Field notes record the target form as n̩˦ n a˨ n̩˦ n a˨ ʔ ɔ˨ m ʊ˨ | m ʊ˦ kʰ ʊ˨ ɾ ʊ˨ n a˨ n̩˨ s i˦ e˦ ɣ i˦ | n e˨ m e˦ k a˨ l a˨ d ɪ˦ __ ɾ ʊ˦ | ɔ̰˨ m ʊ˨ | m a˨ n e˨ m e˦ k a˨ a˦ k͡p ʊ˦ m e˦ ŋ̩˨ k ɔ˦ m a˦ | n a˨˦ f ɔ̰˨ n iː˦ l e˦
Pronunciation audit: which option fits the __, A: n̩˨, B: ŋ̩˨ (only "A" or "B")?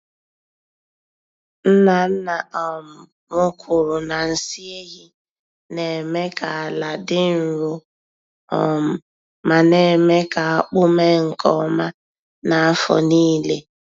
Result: A